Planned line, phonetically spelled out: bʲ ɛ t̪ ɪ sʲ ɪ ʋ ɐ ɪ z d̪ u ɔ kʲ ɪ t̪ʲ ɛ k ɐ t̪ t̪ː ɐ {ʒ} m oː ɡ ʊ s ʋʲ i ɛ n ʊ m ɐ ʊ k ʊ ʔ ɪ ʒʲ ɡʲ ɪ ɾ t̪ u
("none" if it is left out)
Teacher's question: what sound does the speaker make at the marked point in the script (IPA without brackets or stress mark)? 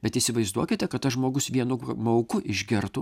ʒ